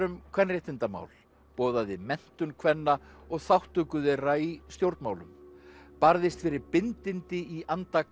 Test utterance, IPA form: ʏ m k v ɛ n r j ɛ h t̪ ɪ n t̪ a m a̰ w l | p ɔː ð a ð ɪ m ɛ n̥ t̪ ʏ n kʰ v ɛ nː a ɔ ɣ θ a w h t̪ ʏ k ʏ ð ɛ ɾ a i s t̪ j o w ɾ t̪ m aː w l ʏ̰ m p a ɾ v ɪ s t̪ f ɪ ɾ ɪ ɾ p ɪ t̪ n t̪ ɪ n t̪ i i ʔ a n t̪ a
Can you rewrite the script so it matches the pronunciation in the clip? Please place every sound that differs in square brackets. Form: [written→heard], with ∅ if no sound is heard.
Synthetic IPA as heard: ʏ m [k→kʰ] v ɛ n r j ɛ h t̪ ɪ n t̪ a m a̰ w l | p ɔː ð a ð ɪ m ɛ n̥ t̪ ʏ n kʰ v ɛ nː a ɔ ɣ θ a w h t̪ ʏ k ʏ ð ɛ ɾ a i s t̪ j o w ɾ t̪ m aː w l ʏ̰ m p a ɾ [v→ð] ɪ s t̪ f ɪ ɾ ɪ ɾ p ɪ [t̪→∅] n t̪ ɪ n t̪ [i→ɪ] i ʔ a n t̪ a